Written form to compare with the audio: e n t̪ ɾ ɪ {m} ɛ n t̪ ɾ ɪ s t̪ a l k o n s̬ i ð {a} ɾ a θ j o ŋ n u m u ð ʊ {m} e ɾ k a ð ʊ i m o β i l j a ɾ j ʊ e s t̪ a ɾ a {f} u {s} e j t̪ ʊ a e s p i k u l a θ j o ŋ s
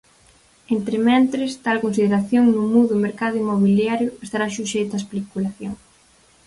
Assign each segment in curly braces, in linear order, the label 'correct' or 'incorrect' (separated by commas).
correct, incorrect, correct, incorrect, incorrect